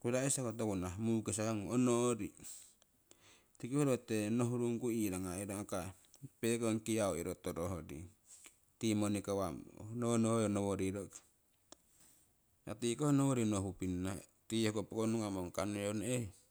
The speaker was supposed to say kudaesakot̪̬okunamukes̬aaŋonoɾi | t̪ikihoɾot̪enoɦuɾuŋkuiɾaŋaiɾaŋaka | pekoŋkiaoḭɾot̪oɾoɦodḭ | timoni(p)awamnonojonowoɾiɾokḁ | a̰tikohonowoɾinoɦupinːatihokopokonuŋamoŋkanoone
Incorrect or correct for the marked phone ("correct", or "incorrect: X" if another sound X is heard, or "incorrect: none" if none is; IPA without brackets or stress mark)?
incorrect: k